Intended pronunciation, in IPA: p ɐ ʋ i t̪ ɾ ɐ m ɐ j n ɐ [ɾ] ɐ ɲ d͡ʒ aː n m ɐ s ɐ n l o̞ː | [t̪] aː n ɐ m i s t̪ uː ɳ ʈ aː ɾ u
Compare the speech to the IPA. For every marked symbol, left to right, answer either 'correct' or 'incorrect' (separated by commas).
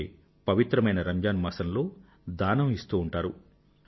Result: correct, incorrect